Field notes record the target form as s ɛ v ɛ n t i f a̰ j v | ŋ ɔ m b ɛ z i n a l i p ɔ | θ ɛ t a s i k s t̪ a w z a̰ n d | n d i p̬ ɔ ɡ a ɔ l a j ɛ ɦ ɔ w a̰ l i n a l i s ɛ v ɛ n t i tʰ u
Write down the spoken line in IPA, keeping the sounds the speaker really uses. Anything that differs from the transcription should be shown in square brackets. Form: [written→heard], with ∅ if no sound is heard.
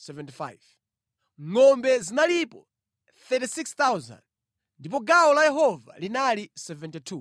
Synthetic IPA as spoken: s ɛ v ɛ n t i f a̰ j v | ŋ ɔ m b ɛ z i n a l i p ɔ | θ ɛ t [a→i] s i k s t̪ a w z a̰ n d | n d i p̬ ɔ ɡ a ɔ l a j ɛ ɦ ɔ [w→v] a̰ l i n a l i s ɛ v ɛ n t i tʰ u